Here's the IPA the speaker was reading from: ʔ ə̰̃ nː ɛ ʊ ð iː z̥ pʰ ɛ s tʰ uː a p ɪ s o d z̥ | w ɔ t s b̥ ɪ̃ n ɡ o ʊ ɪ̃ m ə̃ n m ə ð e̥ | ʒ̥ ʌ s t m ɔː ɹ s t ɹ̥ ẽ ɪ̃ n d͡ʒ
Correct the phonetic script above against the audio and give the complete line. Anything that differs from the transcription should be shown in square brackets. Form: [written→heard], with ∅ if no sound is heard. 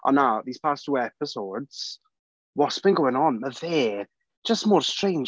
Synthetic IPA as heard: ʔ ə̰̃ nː [ɛ→a] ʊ ð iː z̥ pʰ [ɛ→a] s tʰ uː [a→ɛ] p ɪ s o d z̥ | w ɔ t s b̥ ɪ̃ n ɡ o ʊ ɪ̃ [m→ŋ] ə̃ n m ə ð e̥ | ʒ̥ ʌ s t m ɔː ɹ s t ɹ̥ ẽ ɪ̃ n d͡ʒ

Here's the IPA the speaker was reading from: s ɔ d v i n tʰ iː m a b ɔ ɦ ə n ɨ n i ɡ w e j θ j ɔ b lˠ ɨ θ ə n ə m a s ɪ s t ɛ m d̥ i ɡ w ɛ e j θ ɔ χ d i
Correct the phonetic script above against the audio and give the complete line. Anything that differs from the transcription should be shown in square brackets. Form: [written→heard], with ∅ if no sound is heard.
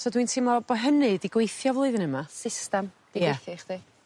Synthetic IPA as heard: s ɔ d [v→w] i n tʰ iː m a b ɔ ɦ ə n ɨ [n→d] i ɡ w e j θ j ɔ [b→v] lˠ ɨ [θ→ð] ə n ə m a s ɪ s t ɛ m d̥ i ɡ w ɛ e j θ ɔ χ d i

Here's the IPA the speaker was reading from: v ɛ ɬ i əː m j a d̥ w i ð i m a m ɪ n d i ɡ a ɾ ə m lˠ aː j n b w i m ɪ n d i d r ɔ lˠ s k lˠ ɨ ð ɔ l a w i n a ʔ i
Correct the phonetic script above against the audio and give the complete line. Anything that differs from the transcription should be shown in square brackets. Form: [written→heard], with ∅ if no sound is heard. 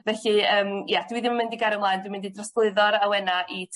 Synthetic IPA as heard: v ɛ ɬ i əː m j a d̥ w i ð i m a m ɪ n d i ɡ a ɾ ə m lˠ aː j n [b→d] w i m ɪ n d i d r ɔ [lˠ→∅] s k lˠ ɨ ð ɔ [l→ɾ] a w [i→ɛ] n a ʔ i

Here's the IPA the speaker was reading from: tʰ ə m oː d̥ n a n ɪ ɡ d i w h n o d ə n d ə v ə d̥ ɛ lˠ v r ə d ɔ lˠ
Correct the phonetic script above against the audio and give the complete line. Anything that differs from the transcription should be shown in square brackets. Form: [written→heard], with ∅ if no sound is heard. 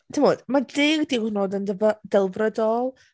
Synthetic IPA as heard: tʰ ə m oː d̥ [n→m] a [n→d] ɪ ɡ d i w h n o d ə n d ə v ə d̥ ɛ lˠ v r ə d ɔ lˠ

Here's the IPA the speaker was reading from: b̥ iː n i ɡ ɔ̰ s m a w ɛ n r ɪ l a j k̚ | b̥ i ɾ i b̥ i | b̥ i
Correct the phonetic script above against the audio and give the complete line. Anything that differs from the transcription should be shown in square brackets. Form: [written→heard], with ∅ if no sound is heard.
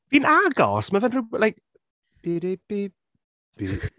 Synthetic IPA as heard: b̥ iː n [i→a] ɡ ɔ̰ s m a [w→v] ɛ n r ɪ l a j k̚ | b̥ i ɾ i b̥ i | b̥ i

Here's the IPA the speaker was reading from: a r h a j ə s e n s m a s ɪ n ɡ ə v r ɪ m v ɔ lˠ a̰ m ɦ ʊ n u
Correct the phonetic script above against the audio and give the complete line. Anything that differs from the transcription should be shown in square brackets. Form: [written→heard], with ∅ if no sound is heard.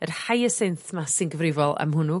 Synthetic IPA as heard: [a→ə] r h a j ə s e n [s→θ] m a s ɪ n ɡ ə v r ɪ [m→∅] v ɔ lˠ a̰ m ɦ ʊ n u

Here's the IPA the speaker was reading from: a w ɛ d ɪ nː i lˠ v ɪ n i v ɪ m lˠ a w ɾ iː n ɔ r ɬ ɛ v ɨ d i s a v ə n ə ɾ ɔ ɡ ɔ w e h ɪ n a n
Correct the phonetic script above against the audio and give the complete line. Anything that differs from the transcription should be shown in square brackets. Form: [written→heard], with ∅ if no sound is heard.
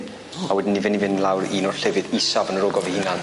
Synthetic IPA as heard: a w ɛ d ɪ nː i [lˠ→∅] v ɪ n i v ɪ [m→n] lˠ a w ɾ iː n ɔ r ɬ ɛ v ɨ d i s a v ə n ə ɾ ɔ ɡ ɔ [w→v] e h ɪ n a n

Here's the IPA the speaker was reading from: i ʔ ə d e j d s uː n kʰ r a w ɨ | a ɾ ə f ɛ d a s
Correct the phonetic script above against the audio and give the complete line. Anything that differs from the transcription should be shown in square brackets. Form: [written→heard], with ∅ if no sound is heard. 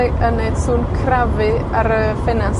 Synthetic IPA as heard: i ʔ ə [d→n] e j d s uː n kʰ r a [w→v] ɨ | a ɾ ə f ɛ [d→n] a s

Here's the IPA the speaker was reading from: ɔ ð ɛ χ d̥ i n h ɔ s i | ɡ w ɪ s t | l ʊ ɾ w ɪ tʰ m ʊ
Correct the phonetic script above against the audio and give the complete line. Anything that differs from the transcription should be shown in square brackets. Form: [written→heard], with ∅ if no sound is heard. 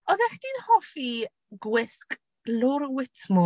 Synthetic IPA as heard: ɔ ð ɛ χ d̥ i n h ɔ [s→f] i | ɡ w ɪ s [t→k] | l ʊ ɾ w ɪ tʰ m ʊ

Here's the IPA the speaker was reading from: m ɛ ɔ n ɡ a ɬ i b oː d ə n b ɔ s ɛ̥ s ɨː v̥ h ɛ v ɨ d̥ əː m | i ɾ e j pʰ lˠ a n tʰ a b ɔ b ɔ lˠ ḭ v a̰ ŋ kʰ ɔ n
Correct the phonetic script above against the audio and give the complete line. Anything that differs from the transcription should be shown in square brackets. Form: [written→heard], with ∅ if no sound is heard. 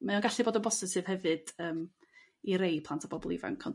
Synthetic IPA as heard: m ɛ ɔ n ɡ a ɬ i b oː d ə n b ɔ s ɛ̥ s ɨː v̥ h ɛ v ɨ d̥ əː m | i ɾ e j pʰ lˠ a n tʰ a b ɔ b ɔ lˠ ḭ v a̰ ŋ kʰ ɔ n

